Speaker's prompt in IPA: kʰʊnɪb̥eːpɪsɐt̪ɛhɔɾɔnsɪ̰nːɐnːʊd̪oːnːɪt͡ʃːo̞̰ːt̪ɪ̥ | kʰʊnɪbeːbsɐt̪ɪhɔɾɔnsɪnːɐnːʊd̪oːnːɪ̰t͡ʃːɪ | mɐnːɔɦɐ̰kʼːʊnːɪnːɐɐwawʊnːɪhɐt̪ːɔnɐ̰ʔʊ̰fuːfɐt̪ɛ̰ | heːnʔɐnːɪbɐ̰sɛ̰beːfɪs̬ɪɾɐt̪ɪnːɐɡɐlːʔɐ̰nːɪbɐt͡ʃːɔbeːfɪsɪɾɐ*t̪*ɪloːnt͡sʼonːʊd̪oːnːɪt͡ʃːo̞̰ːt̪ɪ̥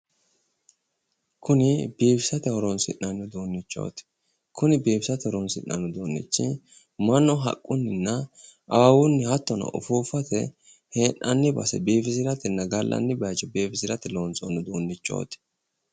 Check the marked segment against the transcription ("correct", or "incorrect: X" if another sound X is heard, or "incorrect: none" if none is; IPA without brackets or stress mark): correct